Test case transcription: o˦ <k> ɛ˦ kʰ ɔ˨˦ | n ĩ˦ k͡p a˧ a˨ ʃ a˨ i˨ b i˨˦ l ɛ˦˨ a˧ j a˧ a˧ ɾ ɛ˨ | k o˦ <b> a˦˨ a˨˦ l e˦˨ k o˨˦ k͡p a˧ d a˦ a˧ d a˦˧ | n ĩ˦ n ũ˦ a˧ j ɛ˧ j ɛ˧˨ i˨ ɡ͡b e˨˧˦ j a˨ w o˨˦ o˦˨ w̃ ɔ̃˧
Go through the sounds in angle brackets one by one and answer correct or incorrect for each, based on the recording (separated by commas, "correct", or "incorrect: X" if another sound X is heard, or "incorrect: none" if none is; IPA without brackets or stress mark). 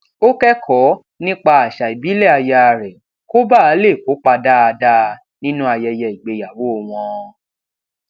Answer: correct, correct